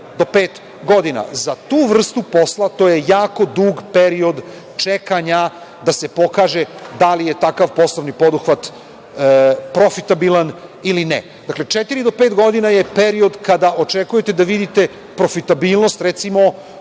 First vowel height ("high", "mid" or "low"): mid